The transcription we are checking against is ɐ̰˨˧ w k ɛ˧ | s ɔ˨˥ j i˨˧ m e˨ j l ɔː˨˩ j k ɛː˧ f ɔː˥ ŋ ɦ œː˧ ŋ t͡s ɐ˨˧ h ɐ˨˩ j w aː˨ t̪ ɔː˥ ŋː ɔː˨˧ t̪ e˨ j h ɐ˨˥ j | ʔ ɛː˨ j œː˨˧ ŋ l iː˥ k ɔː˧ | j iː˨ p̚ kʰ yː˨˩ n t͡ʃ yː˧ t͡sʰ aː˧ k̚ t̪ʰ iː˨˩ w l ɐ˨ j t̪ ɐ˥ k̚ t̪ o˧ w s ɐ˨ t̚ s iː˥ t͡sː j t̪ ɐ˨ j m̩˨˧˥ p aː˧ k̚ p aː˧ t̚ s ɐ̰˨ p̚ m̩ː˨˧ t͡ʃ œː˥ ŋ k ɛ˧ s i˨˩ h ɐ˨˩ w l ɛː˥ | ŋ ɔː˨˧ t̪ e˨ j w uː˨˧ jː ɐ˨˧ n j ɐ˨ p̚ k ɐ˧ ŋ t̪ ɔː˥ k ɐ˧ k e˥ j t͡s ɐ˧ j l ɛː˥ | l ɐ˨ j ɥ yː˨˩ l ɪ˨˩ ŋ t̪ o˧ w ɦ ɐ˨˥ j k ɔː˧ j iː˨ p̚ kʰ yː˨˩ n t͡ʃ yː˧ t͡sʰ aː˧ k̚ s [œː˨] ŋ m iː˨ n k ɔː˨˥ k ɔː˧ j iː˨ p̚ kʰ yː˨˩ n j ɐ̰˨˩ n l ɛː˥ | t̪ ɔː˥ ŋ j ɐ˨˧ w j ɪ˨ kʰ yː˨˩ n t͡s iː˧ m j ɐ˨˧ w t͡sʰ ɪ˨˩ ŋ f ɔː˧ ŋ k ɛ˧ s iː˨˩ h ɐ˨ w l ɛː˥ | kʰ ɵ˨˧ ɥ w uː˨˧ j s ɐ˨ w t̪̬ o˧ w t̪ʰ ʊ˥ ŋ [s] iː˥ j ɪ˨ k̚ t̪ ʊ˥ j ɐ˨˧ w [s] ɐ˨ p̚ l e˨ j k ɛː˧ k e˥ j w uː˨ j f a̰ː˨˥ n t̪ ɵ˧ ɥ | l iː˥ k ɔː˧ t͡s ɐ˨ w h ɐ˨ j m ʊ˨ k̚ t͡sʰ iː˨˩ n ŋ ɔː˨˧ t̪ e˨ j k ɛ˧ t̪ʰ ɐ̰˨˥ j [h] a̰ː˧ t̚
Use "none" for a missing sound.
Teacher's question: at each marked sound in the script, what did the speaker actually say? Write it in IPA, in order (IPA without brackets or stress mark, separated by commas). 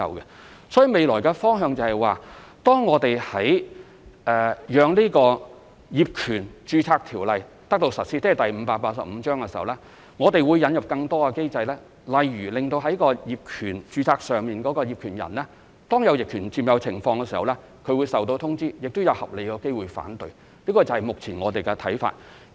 œː˨, t͡s, h, f